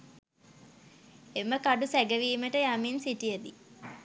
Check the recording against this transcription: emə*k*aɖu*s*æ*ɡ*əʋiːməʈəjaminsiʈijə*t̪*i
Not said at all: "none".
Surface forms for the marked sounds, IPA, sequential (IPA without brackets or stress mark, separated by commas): k, s, ɡ, d̪